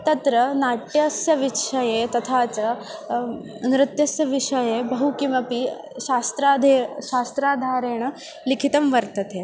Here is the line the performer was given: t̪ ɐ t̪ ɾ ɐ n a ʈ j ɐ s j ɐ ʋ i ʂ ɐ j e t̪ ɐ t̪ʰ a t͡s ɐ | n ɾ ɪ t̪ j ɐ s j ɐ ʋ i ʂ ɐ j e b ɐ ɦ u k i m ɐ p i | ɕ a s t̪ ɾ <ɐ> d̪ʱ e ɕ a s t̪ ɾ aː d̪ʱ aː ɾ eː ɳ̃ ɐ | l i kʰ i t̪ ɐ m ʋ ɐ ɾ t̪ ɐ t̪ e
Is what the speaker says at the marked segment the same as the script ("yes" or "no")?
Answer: no